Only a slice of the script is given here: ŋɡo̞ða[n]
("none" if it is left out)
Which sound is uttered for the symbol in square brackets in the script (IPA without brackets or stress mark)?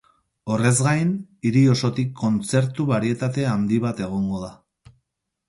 none